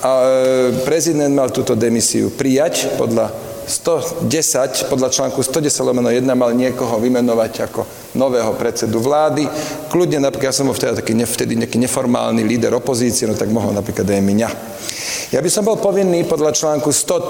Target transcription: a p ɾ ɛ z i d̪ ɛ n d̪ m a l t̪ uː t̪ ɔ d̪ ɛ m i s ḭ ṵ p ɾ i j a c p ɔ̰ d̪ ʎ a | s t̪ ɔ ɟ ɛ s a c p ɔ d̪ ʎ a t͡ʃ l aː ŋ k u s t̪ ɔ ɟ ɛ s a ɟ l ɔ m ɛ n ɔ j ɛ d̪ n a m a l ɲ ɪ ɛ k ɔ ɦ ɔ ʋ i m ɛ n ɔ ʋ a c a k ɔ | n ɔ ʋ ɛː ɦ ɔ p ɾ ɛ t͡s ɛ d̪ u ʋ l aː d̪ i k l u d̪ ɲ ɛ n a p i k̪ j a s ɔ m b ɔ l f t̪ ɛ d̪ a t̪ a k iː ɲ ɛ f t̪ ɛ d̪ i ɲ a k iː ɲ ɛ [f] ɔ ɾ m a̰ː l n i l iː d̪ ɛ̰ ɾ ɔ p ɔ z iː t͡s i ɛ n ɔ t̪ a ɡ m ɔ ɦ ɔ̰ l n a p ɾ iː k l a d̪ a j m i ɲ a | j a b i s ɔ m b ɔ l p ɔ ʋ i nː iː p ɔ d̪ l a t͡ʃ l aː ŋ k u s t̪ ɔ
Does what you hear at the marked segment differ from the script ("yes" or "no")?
no